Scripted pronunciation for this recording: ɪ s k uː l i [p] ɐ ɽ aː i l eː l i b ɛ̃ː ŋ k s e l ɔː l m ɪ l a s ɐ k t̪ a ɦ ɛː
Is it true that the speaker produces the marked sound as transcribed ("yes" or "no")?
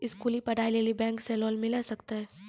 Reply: yes